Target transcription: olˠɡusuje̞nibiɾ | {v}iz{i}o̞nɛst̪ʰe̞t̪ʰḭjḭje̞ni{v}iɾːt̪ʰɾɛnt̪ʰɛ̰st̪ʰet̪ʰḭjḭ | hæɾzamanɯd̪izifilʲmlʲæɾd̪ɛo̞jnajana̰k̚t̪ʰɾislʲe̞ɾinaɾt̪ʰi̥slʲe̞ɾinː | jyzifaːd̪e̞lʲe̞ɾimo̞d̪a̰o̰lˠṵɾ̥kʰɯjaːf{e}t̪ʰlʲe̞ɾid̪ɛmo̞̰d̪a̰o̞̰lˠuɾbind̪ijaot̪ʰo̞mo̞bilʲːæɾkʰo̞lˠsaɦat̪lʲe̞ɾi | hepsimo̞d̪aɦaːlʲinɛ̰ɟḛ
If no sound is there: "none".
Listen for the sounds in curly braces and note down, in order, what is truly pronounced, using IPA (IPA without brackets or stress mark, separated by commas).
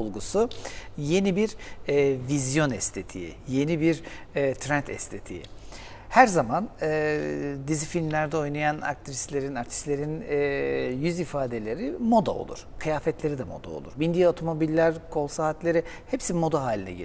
v, j, b, ɛ